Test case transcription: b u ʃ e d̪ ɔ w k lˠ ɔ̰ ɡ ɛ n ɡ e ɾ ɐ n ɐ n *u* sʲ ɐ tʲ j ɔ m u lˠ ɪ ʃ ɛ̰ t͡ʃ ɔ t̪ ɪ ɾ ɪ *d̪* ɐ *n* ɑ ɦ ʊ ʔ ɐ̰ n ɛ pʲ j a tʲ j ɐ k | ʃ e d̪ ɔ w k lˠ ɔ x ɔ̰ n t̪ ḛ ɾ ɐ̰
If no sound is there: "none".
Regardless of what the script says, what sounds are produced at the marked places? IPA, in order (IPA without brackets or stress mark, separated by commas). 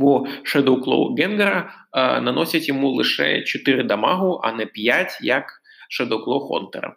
ɔ, d̪, m